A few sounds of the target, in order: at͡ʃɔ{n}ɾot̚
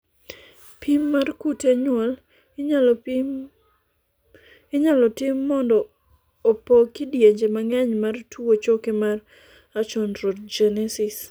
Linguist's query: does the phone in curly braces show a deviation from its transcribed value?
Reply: no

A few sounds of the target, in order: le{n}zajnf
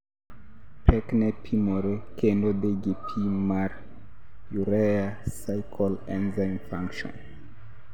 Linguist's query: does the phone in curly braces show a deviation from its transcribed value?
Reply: no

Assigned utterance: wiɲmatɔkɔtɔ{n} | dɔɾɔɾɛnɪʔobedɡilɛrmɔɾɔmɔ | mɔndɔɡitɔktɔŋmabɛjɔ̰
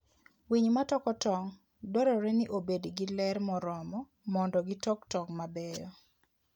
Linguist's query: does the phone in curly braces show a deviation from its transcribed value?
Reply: yes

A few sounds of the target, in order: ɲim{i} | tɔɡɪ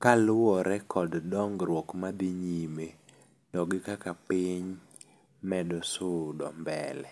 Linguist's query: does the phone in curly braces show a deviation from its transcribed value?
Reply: yes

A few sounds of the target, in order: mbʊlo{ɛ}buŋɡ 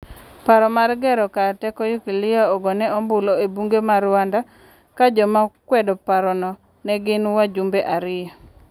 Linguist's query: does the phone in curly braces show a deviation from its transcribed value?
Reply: yes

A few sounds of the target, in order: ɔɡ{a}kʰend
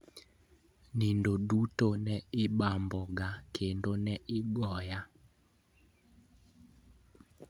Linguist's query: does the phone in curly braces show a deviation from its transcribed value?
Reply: no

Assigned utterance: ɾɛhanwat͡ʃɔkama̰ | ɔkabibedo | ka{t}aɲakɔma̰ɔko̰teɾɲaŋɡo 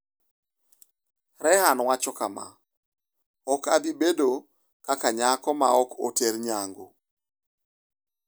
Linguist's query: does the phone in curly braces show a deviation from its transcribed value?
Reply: yes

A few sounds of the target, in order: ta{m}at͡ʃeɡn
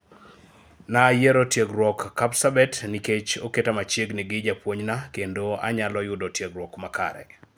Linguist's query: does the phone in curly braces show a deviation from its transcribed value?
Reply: no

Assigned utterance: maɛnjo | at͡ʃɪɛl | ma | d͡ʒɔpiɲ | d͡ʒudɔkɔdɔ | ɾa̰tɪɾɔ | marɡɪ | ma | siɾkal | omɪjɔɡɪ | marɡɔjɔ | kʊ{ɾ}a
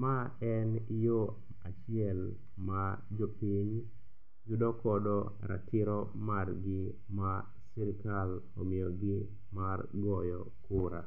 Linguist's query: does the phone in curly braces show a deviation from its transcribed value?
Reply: no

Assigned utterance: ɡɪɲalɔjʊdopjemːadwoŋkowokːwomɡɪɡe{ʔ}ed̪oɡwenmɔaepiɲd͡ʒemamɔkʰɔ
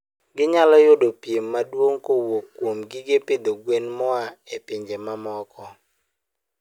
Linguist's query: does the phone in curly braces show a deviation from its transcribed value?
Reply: yes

